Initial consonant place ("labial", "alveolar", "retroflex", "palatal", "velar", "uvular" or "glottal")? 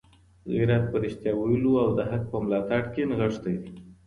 velar